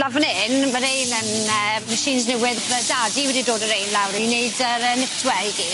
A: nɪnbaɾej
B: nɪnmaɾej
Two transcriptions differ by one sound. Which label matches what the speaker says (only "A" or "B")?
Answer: B